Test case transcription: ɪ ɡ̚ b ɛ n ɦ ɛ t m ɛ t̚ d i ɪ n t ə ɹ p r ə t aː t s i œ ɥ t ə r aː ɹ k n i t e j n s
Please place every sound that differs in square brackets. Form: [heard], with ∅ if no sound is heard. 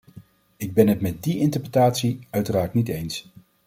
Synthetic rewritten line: ɪ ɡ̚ b ɛ n ɦ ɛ t m ɛ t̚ d i ɪ n t ə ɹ p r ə t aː t s i œ ɥ t ə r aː ɹ [t] n i t e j n s